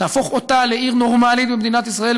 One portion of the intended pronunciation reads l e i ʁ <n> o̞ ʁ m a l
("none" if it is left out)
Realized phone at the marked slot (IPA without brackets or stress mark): n